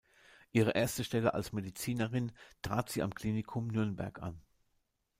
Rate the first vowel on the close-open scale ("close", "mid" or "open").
close